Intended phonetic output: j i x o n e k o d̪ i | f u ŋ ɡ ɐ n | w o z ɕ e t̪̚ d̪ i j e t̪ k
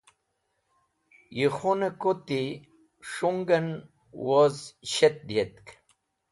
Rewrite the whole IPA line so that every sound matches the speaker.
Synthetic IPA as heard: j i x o n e k o t̪ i | ʂ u ŋ ɡ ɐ n | w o z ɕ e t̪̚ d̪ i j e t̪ k